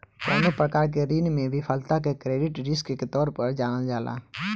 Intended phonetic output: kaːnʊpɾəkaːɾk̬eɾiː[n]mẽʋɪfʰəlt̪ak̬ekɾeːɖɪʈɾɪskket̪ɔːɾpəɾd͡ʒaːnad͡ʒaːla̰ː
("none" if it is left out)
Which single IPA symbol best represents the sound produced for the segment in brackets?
n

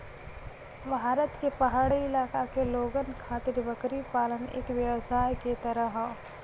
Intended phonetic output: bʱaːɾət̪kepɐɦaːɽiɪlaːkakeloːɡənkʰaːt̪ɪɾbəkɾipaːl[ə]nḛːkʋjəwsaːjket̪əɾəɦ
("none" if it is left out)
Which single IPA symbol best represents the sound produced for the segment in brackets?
ə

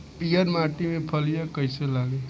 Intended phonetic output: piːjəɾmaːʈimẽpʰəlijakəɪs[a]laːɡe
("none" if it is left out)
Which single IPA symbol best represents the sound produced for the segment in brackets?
e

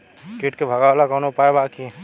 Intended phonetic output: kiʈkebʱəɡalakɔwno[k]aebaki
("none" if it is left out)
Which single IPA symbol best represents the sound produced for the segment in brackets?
p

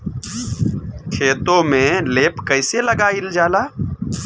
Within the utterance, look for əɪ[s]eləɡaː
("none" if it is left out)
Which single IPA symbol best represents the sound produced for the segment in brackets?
s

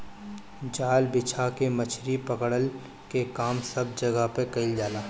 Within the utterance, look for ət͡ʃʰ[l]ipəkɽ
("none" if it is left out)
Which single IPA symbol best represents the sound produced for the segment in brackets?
ɾ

